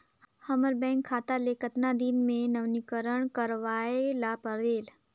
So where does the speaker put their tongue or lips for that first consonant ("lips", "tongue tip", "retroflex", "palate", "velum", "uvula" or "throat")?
throat